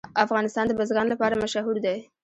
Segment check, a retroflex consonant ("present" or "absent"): absent